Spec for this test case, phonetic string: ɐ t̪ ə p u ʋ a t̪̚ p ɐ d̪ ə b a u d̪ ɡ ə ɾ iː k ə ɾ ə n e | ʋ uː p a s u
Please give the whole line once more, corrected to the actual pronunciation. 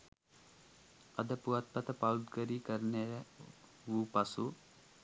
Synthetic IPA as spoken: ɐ d̪ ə p u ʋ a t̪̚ p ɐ t̪ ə p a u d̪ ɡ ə ɾ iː k ə ɾ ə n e | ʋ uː p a s u